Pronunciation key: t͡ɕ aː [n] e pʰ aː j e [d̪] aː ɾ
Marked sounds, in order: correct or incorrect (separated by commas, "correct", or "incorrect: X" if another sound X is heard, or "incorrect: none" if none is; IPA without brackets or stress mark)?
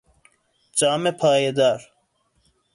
incorrect: m, correct